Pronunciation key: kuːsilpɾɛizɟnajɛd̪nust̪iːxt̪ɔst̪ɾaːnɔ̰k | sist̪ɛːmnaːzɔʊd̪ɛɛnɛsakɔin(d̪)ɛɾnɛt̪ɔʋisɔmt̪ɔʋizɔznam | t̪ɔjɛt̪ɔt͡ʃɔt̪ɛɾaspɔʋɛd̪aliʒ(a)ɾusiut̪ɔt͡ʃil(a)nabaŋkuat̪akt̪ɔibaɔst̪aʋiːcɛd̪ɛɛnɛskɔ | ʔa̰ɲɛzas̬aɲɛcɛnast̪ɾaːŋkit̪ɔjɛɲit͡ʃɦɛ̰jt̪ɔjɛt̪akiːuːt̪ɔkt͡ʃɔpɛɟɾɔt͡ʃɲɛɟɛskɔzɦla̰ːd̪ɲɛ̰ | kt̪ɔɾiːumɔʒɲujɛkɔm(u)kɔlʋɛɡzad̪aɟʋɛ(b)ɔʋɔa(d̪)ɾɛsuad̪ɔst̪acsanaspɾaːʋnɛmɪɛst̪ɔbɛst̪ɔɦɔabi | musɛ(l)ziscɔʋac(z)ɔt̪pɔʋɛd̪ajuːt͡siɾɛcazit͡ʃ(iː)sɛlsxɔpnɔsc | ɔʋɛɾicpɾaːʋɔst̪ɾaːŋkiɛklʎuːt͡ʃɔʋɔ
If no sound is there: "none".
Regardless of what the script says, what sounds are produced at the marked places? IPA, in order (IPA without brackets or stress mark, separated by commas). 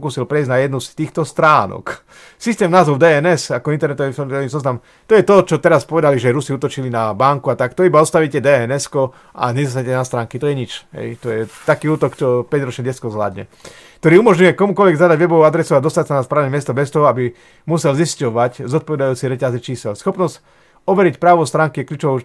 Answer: t̪, ɛ, i, u, b, d̪, l, z, iː